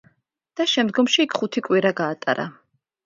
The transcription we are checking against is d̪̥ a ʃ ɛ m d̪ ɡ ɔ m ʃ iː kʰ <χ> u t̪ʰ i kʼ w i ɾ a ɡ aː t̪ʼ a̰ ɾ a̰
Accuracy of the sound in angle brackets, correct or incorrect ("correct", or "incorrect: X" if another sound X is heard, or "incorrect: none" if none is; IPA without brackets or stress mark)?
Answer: correct